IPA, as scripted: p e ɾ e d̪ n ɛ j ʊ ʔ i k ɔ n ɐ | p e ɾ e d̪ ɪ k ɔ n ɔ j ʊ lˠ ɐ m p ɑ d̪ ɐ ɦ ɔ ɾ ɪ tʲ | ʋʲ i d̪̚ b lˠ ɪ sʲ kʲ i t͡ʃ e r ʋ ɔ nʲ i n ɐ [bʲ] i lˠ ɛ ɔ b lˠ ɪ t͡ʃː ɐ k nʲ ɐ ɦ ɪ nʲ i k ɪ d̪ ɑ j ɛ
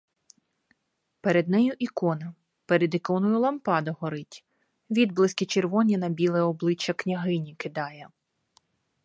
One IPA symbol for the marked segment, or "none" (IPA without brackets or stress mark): bʲ